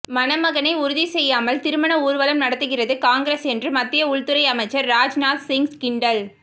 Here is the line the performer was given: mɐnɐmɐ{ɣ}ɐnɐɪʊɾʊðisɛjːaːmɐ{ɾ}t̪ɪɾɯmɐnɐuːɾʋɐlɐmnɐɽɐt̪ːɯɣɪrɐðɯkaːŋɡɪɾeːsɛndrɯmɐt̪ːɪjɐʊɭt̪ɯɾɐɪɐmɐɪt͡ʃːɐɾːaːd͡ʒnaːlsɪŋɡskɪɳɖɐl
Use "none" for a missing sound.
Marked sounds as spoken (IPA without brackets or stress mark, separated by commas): ɣ, l